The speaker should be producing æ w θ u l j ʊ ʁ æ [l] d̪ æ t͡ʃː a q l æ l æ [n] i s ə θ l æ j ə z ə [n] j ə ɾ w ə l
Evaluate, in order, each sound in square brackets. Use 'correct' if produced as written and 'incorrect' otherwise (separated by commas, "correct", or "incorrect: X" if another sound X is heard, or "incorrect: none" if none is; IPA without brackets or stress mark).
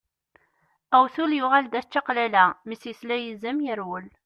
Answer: correct, incorrect: m, incorrect: m